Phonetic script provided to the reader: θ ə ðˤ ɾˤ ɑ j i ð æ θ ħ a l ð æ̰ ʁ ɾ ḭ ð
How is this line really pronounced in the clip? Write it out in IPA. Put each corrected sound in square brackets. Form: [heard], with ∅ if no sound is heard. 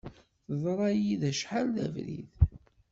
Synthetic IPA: θ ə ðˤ ɾˤ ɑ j i ð æ [ʃ] ħ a l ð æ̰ [v] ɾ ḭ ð